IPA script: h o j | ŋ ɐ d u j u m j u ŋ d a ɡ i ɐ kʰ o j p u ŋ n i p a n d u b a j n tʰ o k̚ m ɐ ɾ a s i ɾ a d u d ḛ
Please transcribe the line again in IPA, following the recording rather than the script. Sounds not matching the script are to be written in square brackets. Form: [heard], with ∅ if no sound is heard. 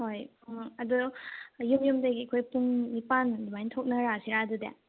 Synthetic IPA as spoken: h o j | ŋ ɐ d u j u m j u [m] d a ɡ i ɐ kʰ o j p u ŋ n i p a n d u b a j n tʰ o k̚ [n] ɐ ɾ a s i ɾ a d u d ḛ